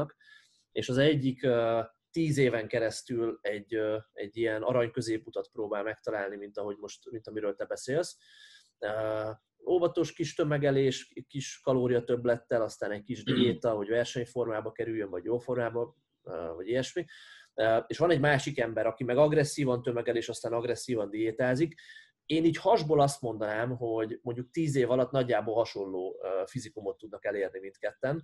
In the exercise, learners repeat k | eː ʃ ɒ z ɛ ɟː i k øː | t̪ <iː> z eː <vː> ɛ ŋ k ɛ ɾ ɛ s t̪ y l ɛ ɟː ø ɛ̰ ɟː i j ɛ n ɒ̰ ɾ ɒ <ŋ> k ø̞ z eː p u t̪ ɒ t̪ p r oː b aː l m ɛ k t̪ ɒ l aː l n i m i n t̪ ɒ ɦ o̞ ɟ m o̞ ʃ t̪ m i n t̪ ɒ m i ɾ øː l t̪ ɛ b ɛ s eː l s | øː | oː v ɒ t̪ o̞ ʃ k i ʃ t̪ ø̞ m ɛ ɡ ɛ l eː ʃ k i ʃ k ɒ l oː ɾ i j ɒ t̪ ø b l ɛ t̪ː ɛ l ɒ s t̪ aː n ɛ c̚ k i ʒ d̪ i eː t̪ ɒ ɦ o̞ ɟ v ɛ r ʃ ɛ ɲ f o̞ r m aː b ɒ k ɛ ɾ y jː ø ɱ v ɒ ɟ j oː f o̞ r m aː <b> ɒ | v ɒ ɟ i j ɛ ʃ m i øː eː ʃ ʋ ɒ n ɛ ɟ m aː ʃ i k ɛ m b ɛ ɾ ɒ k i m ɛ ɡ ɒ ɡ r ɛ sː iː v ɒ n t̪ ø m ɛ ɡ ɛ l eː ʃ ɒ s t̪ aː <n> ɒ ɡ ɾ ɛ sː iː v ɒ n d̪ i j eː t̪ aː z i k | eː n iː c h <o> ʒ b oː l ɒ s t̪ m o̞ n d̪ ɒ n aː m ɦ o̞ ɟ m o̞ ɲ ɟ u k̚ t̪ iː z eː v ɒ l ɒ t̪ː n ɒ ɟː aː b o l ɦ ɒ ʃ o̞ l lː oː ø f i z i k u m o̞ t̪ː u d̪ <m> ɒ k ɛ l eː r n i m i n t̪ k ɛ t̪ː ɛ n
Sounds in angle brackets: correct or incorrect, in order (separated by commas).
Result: correct, incorrect, incorrect, correct, correct, incorrect, incorrect